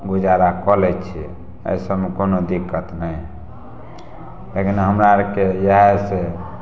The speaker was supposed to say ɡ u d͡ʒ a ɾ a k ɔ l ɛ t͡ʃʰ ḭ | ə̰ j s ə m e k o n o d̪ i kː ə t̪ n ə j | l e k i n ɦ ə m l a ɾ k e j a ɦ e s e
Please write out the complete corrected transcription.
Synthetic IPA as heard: ɡ u d͡ʒ a ɾ a k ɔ l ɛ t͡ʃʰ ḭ | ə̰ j s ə m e k o n o d̪ i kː ə t̪ n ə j | l e k i n ɦ ə m ɾ a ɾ k e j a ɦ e s e

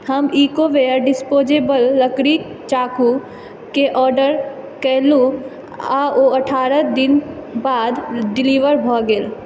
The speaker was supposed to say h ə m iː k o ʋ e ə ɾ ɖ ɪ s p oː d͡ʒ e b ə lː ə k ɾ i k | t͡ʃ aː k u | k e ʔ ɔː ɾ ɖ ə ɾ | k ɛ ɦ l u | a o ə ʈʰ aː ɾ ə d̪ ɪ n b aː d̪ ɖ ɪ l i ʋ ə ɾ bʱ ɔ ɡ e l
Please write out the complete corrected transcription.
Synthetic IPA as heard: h ə m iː k o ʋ e ə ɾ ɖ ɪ s p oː d͡ʒ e b ə lː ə k ɾ i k | t͡ʃ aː k u | k e ʔ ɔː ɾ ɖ ə ɾ | k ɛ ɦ l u | a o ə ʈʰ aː ɾ ə d̪ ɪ n b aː d̪ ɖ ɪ l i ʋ ə ɾ bʱ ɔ ɡ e l

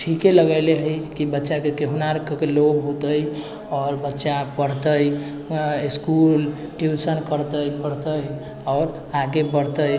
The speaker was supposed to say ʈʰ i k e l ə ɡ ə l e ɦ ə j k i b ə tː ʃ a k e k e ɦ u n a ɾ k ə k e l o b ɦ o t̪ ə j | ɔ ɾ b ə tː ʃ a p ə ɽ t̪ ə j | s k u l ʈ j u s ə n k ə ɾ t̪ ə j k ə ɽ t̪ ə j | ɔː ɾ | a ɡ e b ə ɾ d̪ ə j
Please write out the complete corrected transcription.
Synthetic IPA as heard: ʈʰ i k e l ə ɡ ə l e ɦ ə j k i b ə tː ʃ a k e k e ɦ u n a ɾ k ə k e l o b ɦ o t̪ ə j | ɔ ɾ b ə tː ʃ a p ə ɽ t̪ ə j | s k u l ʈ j u s ə n k ə ɾ t̪ ə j p ə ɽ t̪ ə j | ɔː ɾ | a ɡ e b ə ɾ t̪ ə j

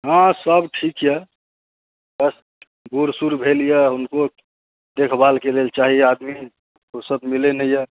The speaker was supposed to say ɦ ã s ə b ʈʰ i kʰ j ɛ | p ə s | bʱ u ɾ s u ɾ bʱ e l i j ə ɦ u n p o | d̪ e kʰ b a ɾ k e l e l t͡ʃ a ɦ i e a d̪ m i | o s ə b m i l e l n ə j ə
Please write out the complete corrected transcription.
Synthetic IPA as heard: ɦ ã s ə b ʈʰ i k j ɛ | b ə s | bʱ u ɾ s u ɾ bʱ e l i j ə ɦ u n k o | d̪ e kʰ b a l k e l e l t͡ʃ a ɦ i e a d̪ m i | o s ə b m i l e n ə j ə

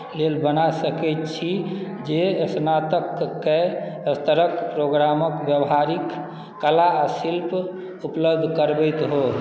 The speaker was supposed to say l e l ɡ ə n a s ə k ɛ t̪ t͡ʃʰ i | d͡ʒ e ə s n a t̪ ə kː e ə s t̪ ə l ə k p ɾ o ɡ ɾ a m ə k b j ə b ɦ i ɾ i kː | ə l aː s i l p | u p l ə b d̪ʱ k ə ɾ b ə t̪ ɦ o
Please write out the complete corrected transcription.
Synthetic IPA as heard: l e l b ə n a s ə k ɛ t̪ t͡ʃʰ i | d͡ʒ e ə s n a t̪ ə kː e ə s t̪ ə ɾ ə k p ɾ o ɡ ɾ a m ə k b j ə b ɦ a ɾ i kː | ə l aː s i l p | u p l ə b d̪ʱ k ə ɾ b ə t̪ ɦ o

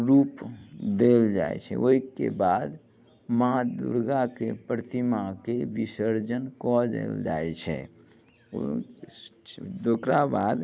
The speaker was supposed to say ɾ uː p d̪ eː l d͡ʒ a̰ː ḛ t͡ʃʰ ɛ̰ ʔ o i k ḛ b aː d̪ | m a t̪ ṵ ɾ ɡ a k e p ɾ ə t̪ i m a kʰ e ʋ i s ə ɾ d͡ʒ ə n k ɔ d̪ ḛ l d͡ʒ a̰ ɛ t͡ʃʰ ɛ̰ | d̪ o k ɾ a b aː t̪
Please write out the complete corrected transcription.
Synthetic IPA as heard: ɾ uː p d̪ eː l d͡ʒ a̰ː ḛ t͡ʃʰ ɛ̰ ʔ o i k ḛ b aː d̪ | m a d̪ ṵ ɾ ɡ a k e p ɾ ə t̪ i m a k e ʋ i s ə ɾ d͡ʒ ə n k ɔ d̪ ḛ l d͡ʒ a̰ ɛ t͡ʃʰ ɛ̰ | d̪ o k ɾ a b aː d̪

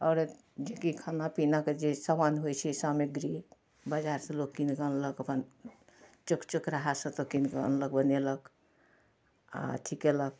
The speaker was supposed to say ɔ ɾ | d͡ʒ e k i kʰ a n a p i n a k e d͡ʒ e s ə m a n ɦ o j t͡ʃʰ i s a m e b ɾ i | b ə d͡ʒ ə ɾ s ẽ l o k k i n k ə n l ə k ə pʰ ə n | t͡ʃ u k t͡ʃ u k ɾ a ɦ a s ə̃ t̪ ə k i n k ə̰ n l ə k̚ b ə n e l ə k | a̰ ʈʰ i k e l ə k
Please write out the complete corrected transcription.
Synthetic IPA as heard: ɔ ɾ | d͡ʒ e k i kʰ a n a p i n a k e d͡ʒ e s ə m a n ɦ o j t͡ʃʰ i s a m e ɡ ɾ i | b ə d͡ʒ a ɾ s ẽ l o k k i n k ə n l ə k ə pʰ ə n | t͡ʃ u k t͡ʃ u k ɾ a ɦ a s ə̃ t̪ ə k i n k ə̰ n l ə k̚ b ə n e l ə k | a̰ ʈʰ i k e l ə k

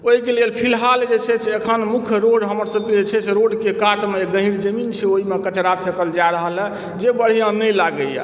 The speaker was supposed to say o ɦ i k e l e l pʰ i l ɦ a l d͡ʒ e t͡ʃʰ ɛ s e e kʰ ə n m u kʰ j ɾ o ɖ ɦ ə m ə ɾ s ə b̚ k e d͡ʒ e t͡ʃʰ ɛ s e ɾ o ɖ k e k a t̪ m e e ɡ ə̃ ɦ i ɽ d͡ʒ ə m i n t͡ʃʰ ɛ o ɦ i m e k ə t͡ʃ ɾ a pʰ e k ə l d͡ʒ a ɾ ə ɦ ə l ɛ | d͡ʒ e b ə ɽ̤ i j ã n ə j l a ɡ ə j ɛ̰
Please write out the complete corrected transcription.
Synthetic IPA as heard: o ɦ i k e l e l pʰ i l ɦ a l d͡ʒ e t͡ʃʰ ɛ s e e kʰ ə n m u kʰ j ɾ o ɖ ɦ ə m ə ɾ s ə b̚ k e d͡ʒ e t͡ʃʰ ɛ s e ɾ o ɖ k e k a t̪ m e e ɡ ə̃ ɦ i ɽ d͡ʒ ə m i n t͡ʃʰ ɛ o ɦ i m e k ə t͡ʃ ɾ a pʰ e k ə l d͡ʒ a ɾ ə ɦ ə l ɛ | d͡ʒ e b ə ɽ̤ i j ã n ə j l a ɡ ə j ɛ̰

